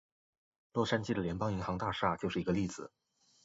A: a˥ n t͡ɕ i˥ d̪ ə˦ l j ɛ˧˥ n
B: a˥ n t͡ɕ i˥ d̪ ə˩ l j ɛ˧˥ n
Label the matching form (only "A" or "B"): B